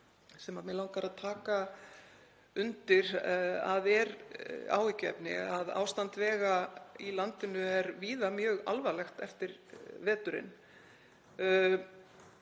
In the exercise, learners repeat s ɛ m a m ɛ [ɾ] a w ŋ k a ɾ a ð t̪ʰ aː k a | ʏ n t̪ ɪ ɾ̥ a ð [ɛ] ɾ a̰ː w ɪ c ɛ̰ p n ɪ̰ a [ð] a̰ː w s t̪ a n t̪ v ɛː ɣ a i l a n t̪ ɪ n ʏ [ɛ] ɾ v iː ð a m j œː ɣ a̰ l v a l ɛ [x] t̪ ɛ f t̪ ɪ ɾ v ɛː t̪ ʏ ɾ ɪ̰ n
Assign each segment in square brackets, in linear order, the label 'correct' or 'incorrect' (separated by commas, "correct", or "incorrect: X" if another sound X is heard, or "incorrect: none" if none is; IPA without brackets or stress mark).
incorrect: l, correct, correct, correct, correct